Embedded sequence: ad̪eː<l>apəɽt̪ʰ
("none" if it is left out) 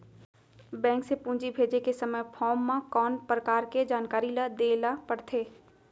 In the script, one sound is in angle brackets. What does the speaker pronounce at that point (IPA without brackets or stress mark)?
l